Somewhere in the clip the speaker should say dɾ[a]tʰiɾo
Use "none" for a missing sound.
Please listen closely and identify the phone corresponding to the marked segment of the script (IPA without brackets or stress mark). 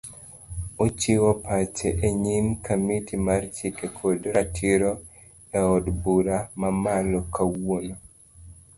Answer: a